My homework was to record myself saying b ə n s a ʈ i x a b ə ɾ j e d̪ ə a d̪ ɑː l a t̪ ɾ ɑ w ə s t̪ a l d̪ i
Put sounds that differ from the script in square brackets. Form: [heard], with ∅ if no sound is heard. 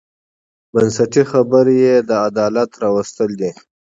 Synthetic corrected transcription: b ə n s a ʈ i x a b ə ɾ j e d̪ ə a d̪ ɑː l a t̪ ɾ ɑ w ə s t̪ [ə] l d̪ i